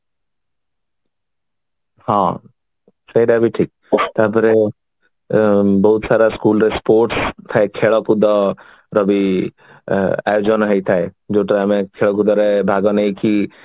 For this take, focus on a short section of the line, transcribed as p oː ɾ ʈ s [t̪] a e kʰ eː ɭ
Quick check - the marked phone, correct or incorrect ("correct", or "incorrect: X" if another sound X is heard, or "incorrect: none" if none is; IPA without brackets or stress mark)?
incorrect: t̪ʰ